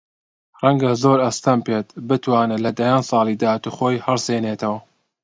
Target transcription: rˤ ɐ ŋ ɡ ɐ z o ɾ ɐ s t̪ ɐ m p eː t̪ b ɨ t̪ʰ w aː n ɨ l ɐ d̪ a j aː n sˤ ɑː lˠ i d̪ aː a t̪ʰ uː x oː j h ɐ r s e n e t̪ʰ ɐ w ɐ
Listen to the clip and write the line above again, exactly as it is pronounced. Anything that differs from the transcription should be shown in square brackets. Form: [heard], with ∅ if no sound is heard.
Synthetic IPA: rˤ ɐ ŋ ɡ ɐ z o ɾ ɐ s t̪ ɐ m p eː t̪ b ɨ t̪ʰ w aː n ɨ l ɐ d̪ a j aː n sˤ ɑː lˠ i d̪ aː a [t̪] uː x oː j h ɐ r s e n e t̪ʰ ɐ w ɐ